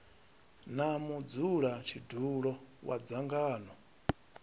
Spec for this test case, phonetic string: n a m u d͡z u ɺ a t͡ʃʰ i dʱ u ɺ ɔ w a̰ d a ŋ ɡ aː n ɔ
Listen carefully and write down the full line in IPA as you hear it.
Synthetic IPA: n a m u d͡z u ɺ a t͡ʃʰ i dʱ u ɺ ɔ w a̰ d͡z a ŋ ɡ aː n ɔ